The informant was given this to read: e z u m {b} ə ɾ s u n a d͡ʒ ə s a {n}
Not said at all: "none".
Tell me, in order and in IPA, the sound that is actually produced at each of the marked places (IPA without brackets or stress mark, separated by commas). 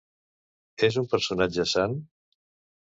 p, n